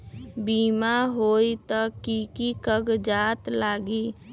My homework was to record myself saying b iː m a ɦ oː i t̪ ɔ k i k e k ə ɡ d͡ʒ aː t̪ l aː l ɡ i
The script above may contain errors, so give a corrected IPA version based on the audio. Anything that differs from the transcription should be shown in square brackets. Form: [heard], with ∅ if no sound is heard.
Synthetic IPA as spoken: b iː m a ɦ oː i t̪ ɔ k i k [i] k ə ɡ d͡ʒ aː t̪ l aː [∅] ɡ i